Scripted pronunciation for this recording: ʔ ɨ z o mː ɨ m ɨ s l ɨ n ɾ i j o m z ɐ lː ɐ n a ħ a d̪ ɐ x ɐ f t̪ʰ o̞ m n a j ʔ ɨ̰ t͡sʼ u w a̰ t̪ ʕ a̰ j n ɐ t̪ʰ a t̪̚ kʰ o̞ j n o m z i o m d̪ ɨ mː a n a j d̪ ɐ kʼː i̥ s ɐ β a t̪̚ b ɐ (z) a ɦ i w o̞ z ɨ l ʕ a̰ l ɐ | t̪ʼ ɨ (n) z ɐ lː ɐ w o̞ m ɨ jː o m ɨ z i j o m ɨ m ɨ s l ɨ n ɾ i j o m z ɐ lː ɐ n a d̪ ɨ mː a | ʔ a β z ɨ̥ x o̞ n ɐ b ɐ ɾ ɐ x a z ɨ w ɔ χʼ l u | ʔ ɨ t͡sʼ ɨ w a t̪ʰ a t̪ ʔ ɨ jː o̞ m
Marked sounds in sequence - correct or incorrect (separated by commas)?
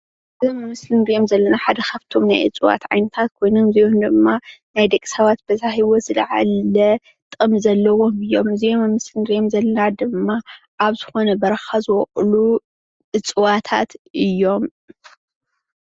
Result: correct, incorrect